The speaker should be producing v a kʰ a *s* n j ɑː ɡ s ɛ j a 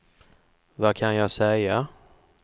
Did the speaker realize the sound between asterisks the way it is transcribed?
no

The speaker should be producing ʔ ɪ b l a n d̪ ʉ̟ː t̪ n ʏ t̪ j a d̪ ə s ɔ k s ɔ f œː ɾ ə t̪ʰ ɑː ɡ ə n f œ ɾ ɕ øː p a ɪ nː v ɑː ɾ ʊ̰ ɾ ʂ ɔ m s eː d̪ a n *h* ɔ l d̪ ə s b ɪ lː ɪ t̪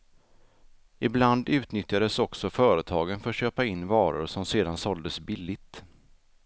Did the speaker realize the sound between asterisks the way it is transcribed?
no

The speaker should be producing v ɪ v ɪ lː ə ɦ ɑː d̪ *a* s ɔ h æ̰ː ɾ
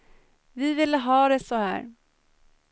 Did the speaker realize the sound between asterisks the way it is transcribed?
no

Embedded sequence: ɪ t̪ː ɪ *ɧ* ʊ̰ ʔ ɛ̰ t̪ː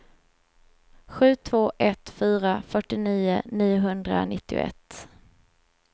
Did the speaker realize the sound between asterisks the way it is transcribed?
no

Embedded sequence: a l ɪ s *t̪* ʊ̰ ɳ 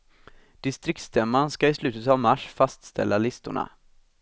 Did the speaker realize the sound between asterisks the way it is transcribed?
yes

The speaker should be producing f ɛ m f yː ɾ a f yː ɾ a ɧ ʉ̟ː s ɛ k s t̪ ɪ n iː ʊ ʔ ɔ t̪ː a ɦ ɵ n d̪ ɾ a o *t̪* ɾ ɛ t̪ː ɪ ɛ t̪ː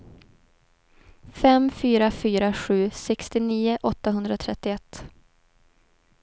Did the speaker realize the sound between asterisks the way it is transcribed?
no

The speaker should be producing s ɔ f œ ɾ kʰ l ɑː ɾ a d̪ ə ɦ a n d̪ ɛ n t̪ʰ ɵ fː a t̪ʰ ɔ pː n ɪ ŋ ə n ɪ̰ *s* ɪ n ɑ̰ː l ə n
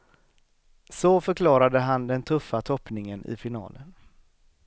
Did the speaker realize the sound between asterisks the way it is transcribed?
no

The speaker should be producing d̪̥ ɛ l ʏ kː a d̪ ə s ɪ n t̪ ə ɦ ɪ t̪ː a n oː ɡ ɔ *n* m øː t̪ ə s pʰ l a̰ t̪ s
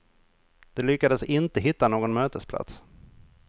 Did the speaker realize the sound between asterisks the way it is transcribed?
yes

